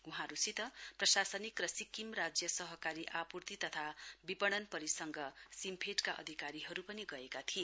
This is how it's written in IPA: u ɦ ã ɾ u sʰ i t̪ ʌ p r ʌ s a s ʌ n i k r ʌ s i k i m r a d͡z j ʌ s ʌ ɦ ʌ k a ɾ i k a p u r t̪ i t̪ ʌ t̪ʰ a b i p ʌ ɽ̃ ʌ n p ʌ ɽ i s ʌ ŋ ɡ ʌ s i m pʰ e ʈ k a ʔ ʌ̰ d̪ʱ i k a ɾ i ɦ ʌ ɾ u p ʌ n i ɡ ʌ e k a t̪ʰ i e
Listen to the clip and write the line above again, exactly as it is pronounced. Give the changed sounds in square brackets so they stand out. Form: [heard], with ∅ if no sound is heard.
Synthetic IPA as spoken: u ɦ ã ɾ u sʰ i t̪ ʌ p r ʌ s a s ʌ n i k r ʌ s i k i m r a d͡z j ʌ s ʌ ɦ ʌ k a ɾ i [ʔ] a p u r t̪ i t̪ ʌ t̪ʰ a b i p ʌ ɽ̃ ʌ n p ʌ [ɾ] i s ʌ ŋ ɡ ʌ s i m pʰ e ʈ k a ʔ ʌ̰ d̪ʱ i k a ɾ i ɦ ʌ ɾ u p ʌ n i ɡ ʌ e k a t̪ʰ i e